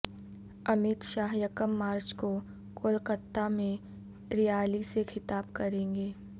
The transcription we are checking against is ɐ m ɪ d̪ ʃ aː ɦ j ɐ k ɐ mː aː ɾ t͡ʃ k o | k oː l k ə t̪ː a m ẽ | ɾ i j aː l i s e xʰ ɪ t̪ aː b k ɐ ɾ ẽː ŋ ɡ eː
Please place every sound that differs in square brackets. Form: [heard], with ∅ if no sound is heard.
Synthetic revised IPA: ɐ m ɪ [t̪] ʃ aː ɦ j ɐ k [ə] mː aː ɾ t͡ʃ k o | k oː l k ə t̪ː a m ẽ | ɾ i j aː l i s e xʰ ɪ t̪ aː b k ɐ ɾ ẽː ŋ ɡ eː